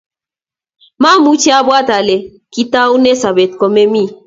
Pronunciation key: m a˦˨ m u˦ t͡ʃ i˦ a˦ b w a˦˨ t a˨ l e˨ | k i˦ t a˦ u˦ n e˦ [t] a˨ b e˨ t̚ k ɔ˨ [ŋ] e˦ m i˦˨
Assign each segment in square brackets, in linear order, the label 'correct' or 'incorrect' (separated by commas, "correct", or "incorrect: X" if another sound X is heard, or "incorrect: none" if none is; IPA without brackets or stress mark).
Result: incorrect: s, incorrect: m